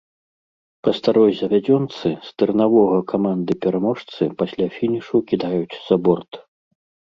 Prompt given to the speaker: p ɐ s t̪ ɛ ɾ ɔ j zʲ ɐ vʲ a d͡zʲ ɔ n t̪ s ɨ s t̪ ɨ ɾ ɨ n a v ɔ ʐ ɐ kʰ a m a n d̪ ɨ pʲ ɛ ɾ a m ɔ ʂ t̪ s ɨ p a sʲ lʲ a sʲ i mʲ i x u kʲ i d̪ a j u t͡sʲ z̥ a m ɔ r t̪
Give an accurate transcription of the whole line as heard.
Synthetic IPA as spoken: p ɐ s t̪ a ɾ ɔ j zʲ ɐ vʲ a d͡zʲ ɔ n t̪ s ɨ s t̪ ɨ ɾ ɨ n a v ɔ ɣ ɐ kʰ a m a n d̪ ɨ pʲ ɛ ɾ a m ɔ ʂ t̪ s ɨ p a sʲ lʲ a fʲ i nʲ i ʂ u kʲ i d̪ a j u t͡sʲ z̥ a b ɔ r t̪